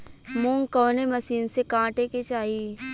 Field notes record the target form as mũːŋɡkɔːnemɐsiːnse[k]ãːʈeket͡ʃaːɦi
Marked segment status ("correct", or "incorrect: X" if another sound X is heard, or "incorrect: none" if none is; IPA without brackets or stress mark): correct